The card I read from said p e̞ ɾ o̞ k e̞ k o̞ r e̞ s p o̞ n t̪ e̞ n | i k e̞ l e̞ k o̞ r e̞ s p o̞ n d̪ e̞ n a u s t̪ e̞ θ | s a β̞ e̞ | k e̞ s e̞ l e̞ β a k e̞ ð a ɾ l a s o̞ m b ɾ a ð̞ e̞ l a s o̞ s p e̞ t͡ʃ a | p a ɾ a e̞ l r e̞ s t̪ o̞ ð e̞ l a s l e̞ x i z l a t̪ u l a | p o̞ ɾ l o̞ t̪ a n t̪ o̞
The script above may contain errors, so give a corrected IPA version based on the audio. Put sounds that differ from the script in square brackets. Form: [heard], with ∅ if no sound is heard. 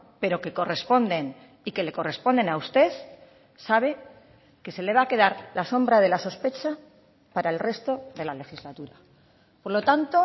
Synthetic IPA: p e̞ ɾ o̞ k e̞ k o̞ r e̞ s p o̞ n [d̪] e̞ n | i k e̞ l e̞ k o̞ r e̞ s p o̞ n d̪ e̞ n a u s t̪ e̞ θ | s a β̞ e̞ | k e̞ s e̞ l e̞ β a k e̞ ð a ɾ l a s o̞ m b ɾ a ð̞ e̞ l a s o̞ s p e̞ t͡ʃ a | p a ɾ a e̞ l r e̞ s t̪ o̞ ð e̞ l a [∅] l e̞ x i z l a t̪ u [ɾ] a | p o̞ ɾ l o̞ t̪ a n t̪ o̞